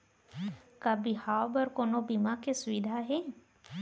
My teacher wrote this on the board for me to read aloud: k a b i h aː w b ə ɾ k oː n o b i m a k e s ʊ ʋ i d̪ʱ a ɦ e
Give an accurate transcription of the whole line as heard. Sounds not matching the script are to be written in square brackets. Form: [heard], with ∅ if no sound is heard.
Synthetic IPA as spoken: k a b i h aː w b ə ɾ k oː n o b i m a k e s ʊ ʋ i d̪ʱ a ɦ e